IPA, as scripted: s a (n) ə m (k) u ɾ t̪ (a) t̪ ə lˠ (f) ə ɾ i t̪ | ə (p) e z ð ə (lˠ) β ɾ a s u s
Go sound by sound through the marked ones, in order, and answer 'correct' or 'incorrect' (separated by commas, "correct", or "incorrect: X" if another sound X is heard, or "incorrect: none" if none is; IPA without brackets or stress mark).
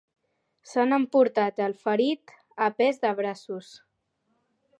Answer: correct, incorrect: p, correct, correct, correct, incorrect: none